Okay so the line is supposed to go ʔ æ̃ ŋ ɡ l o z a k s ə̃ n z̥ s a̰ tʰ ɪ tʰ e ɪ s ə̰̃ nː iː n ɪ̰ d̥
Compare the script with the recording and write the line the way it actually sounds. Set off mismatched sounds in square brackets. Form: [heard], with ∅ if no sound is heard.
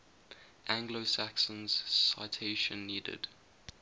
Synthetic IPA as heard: ʔ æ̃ ŋ ɡ l o [s] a k s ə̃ n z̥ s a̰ [∅] ɪ tʰ e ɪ [ʃ] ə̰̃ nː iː [d] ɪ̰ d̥